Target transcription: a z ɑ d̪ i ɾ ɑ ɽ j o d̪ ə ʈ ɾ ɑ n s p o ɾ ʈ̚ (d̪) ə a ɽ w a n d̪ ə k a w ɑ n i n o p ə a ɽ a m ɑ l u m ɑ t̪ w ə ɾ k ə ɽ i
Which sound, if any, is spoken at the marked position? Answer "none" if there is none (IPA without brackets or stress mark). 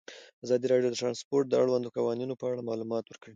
d̪